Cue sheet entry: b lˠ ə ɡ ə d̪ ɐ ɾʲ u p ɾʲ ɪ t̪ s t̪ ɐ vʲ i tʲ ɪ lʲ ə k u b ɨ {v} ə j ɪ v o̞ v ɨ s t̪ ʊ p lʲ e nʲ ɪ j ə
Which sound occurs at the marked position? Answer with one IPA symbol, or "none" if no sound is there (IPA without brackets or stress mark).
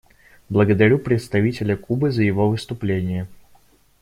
z